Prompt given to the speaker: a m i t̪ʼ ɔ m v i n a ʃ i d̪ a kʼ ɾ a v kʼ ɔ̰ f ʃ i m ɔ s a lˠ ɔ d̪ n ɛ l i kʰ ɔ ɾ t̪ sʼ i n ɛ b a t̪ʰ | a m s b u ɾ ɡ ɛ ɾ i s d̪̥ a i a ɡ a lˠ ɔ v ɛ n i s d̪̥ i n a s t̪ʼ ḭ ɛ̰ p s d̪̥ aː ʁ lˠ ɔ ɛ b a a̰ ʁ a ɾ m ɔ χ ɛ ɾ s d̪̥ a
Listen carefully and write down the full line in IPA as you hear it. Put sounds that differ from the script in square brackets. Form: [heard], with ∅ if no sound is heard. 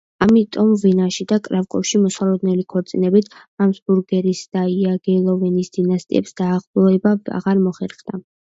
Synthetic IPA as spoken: a m i t̪ʼ ɔ m v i n a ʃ i d̪ a kʼ ɾ a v kʼ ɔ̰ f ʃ i m ɔ s a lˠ ɔ d̪ n ɛ l i kʰ ɔ ɾ t̪ sʼ i n ɛ b [i] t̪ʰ | a m s b u ɾ ɡ ɛ ɾ i s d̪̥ a i a ɡ [ɛ] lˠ ɔ v ɛ n i s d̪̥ i n a s t̪ʼ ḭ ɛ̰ p s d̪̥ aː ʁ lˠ ɔ ɛ b a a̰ ʁ a ɾ m ɔ χ ɛ ɾ [χ] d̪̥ a